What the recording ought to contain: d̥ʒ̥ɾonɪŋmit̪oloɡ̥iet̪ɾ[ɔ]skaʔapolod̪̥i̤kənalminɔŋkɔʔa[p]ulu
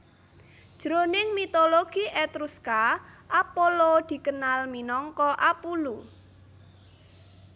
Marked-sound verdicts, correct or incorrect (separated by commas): incorrect, correct